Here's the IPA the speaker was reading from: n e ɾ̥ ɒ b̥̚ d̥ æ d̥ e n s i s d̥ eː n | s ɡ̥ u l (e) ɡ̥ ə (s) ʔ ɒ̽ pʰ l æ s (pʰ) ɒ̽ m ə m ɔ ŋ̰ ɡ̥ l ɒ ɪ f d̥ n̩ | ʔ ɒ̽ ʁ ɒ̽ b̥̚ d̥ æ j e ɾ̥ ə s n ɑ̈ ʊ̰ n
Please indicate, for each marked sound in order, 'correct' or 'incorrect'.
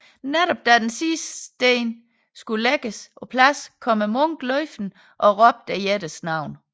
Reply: correct, correct, incorrect

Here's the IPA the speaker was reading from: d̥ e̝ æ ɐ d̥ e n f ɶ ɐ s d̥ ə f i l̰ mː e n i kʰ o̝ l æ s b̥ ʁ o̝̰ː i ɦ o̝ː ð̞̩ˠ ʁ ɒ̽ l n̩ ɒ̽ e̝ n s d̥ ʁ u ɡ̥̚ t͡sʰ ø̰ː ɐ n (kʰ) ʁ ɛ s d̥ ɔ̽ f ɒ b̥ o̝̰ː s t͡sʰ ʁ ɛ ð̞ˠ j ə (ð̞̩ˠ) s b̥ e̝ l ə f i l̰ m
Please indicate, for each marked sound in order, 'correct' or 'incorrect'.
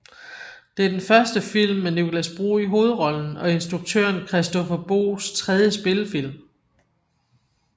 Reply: correct, incorrect

